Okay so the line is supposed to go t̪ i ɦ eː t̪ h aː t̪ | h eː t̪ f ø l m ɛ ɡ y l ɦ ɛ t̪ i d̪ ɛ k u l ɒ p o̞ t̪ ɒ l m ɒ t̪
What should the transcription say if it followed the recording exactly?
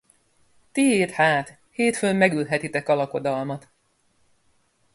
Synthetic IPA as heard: t̪ i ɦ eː t̪ h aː t̪ | h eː t̪ f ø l m ɛ ɡ y l ɦ ɛ t̪ i t̪ ɛ k ɒ l ɒ k o̞ d̪ ɒ l m ɒ t̪